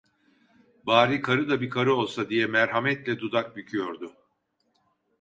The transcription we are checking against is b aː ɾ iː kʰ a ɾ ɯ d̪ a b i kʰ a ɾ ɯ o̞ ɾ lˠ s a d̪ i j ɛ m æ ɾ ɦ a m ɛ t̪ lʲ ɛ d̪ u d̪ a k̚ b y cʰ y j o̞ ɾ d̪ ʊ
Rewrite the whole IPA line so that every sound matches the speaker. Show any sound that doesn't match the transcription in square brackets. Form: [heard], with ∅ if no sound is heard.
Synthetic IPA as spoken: b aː ɾ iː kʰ a ɾ ɯ d̪ a b i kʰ a ɾ ɯ o̞ [∅] lˠ s a d̪ i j ɛ m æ ɾ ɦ a m ɛ t̪ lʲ ɛ d̪ u d̪ a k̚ b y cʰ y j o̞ ɾ d̪ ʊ

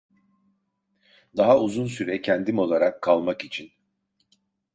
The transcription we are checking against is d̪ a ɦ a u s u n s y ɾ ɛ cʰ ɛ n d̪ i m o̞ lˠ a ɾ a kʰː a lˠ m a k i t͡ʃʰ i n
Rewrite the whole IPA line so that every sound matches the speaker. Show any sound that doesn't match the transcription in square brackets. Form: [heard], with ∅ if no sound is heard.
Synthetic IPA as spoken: d̪ a ɦ a u [z] u n s y ɾ ɛ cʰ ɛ n d̪ i m o̞ lˠ a ɾ a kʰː a lˠ m a k i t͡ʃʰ i n

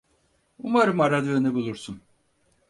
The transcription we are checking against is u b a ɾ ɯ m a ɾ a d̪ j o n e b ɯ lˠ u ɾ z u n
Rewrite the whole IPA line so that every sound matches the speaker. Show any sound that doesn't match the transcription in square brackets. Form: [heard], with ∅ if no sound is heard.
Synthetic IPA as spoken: u [m] a ɾ ɯ m a ɾ a d̪ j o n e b [u] lˠ u ɾ [s] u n

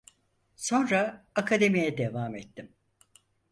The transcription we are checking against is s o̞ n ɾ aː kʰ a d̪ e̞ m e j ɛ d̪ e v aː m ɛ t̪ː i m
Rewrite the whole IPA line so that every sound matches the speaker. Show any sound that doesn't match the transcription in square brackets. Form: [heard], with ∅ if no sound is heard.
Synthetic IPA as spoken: s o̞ n ɾ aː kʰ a d̪ e̞ m [i] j ɛ d̪ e v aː m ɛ t̪ː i m

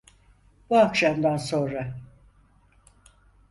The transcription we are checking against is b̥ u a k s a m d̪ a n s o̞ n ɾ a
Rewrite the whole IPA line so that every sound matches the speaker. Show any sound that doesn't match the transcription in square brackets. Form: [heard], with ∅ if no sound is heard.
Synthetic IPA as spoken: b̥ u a k [ʃ] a m d̪ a n s o̞ n ɾ a

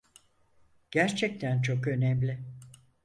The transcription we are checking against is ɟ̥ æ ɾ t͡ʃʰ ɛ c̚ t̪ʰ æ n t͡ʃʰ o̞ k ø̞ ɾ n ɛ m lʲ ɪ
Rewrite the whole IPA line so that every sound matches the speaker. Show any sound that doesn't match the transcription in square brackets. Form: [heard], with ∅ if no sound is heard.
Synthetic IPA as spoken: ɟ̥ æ ɾ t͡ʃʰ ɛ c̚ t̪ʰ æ n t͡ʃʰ o̞ k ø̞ [∅] n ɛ m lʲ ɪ

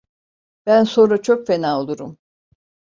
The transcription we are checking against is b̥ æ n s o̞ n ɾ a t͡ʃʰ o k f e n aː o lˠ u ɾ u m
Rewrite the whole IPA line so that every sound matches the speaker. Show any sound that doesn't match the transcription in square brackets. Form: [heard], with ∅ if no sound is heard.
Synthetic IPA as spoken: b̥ æ n s o̞ n ɾ a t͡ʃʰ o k f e n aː o lˠ u ɾ u m

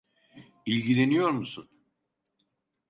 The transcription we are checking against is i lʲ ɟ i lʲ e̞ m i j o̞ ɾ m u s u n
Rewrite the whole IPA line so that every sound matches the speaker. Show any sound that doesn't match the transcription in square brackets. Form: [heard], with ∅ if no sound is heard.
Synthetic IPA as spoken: i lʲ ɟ i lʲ e̞ [n] i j o̞ ɾ m u s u n

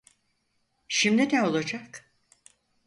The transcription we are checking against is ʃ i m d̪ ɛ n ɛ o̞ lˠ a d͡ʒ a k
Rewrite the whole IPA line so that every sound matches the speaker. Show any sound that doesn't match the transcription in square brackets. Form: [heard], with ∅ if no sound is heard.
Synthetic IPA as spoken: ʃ i m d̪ [i] n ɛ o̞ lˠ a d͡ʒ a k

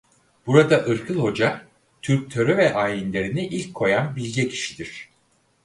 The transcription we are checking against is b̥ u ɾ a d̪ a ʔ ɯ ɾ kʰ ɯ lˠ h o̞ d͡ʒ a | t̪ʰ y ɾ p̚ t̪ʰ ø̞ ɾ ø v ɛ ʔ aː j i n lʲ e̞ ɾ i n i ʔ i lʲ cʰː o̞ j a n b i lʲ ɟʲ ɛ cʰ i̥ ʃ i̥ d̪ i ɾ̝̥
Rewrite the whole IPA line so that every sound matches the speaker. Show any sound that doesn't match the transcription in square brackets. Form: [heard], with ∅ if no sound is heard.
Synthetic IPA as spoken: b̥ u ɾ a d̪ a ʔ ɯ ɾ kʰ ɯ lˠ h o̞ d͡ʒ a | t̪ʰ y ɾ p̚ t̪ʰ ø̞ ɾ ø v ɛ ʔ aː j i n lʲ e̞ ɾ i n i ʔ i lʲ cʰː o̞ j a n b i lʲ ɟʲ ɛ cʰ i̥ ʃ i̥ d̪ i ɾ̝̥

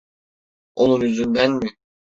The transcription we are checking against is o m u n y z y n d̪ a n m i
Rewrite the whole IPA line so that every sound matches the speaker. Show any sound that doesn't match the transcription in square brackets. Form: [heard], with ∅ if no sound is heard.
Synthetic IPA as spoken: o [n] u n y z y n d̪ [æ] n m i

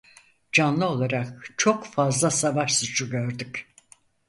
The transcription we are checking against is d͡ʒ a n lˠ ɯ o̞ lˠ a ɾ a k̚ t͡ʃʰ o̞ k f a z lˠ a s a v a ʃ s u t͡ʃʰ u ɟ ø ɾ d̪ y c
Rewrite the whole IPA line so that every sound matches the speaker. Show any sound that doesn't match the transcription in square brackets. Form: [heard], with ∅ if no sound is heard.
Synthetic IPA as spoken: d͡ʒ a n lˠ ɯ o̞ lˠ a ɾ a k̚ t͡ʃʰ o̞ k f a z lˠ a s a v a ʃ s u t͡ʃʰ u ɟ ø ɾ d̪ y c

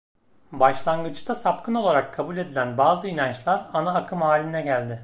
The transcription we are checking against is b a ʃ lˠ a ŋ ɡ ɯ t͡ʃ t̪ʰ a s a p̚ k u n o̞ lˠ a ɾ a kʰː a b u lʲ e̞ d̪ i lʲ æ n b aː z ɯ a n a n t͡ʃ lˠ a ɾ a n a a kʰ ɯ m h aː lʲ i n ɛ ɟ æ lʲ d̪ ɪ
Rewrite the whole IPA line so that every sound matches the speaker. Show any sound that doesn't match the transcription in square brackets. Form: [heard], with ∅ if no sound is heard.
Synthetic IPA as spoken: b a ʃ lˠ a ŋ ɡ ɯ t͡ʃ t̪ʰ a s a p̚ k [ɯ] n o̞ lˠ a ɾ a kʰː a b u lʲ e̞ d̪ i lʲ æ n b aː z ɯ [i] n a n t͡ʃ lˠ a ɾ a n a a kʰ ɯ m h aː lʲ i n ɛ ɟ æ lʲ d̪ ɪ

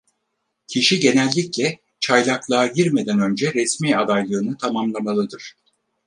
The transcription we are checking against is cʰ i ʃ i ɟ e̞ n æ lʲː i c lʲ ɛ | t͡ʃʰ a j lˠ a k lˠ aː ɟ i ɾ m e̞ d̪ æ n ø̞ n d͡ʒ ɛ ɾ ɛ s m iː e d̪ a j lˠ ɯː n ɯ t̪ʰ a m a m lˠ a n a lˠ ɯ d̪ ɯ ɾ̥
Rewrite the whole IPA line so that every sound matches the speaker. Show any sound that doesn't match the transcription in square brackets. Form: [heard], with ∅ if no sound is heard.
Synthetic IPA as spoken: cʰ i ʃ i ɟ e̞ n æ lʲː i c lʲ ɛ | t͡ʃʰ a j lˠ a k lˠ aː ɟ i ɾ m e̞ d̪ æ n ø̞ n d͡ʒ ɛ ɾ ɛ s m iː [a] d̪ a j lˠ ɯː n ɯ t̪ʰ a m a m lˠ a [m] a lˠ ɯ d̪ ɯ ɾ̥

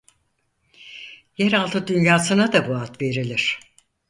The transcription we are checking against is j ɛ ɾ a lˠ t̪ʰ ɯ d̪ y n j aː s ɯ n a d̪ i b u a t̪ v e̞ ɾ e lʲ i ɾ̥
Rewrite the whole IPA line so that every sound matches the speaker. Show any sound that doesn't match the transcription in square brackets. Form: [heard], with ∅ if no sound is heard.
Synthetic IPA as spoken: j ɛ ɾ a lˠ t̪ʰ ɯ d̪ y n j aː s ɯ n a d̪ [a] b u a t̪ v e̞ ɾ [i] lʲ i ɾ̥

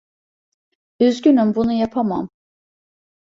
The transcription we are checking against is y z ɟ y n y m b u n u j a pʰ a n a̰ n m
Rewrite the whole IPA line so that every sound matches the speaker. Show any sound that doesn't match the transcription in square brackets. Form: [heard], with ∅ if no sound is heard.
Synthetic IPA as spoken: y z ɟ y n y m b u n u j a pʰ a [m] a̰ [∅] m

